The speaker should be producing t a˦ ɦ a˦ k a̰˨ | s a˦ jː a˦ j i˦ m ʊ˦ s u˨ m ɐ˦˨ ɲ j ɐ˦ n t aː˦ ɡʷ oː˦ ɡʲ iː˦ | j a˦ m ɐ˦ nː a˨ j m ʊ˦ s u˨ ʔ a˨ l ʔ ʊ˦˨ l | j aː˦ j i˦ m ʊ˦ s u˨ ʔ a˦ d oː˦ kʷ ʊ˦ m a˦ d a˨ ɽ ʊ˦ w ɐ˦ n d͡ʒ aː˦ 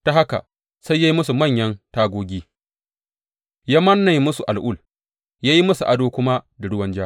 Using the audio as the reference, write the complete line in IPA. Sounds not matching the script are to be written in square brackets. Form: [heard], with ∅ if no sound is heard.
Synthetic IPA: t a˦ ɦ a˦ k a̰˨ | s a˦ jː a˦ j i˦ m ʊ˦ s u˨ m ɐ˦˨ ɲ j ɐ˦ n t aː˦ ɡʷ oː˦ ɡʲ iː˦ | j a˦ m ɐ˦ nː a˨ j m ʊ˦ s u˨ ʔ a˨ l ʔ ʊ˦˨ l | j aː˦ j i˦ m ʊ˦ s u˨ ʔ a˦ d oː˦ kʷ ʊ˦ m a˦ d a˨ ɽ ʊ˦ w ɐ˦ n d͡ʒ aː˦